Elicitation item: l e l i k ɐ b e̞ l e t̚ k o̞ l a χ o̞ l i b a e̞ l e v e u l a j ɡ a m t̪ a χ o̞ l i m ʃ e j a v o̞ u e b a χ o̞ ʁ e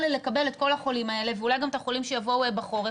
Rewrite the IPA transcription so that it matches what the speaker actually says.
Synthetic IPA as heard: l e l e k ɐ b e̞ l e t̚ k o̞ l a χ o̞ l i m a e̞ l e v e u l a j ɡ a m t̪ a χ o̞ l i m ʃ e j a v o̞ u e b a χ o̞ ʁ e